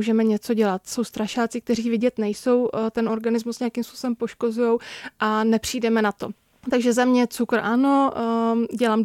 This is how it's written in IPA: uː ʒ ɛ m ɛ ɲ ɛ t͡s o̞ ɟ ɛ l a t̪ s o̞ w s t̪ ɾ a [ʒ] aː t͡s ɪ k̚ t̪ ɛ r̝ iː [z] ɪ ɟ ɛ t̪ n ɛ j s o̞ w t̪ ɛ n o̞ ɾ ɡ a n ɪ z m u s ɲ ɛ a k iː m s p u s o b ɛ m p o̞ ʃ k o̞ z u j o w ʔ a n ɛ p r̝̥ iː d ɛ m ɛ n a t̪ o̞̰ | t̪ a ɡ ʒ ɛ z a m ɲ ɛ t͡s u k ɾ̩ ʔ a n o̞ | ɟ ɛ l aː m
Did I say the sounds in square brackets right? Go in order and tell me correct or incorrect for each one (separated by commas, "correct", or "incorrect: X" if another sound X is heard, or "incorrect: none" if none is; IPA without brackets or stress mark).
incorrect: ʃ, incorrect: v